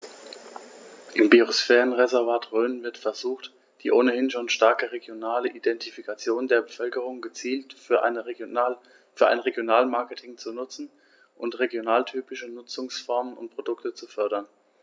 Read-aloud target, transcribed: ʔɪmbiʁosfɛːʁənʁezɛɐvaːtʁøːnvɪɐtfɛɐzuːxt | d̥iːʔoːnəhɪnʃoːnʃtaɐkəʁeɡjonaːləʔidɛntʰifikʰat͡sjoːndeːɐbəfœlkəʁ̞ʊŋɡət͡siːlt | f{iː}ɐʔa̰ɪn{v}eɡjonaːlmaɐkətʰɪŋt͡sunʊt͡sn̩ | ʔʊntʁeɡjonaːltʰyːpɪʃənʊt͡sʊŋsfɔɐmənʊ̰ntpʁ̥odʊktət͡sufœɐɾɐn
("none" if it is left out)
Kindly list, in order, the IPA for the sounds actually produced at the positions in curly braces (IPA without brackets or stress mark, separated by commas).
yː, ʁ